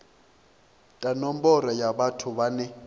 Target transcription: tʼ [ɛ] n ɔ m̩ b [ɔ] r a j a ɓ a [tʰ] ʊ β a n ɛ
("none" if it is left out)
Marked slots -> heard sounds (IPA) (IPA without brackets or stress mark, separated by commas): a, ɔ, tʰ